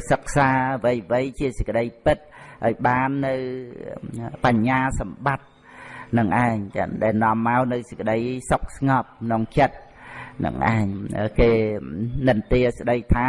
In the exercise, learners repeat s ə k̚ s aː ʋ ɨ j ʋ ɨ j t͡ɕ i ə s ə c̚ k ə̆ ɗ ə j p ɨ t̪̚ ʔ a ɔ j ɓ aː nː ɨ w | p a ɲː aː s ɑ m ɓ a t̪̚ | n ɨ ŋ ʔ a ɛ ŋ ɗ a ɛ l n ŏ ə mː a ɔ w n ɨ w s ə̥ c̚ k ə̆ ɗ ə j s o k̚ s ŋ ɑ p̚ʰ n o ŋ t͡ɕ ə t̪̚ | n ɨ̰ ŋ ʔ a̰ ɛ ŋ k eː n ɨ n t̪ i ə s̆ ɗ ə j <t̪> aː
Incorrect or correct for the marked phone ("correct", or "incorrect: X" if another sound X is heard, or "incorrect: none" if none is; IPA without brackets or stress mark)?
incorrect: t̪ʰ